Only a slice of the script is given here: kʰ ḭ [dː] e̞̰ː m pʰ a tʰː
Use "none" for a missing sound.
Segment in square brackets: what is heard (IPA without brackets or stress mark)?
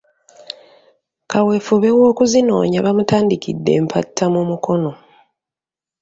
dː